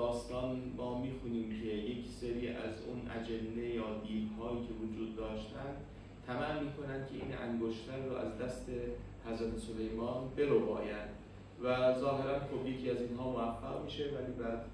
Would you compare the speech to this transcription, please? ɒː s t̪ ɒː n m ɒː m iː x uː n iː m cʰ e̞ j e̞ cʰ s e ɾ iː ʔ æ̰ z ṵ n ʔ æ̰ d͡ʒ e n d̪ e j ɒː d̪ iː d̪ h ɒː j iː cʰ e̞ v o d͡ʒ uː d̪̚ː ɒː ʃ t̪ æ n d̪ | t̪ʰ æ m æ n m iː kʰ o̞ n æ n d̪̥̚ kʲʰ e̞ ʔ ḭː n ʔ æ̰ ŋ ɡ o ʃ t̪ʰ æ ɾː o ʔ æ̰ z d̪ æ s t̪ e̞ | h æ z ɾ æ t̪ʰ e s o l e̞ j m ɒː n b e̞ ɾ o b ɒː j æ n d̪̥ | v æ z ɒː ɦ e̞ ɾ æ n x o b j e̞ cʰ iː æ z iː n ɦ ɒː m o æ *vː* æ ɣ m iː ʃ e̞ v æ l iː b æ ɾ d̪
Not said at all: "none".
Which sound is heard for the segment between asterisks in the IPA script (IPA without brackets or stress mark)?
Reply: fː